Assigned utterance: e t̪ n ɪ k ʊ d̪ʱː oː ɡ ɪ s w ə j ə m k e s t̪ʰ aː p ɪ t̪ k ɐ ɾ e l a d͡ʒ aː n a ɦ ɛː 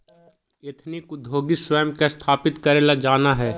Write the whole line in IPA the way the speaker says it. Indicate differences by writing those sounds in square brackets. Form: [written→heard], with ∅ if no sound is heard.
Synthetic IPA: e [t̪→t̪ʰ] n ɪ k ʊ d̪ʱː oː ɡ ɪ s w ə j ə m k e s t̪ʰ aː p ɪ t̪ k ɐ ɾ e l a d͡ʒ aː n a ɦ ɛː